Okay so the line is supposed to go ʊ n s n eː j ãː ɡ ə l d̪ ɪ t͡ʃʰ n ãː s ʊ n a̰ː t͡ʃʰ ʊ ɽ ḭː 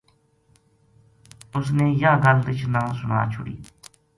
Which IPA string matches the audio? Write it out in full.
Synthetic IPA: ʊ s n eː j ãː ɡ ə l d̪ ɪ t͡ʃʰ n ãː s ʊ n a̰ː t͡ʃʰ ʊ ɽ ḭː